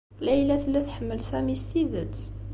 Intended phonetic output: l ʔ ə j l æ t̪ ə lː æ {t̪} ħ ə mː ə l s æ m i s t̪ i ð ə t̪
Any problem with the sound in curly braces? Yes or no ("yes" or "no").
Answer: no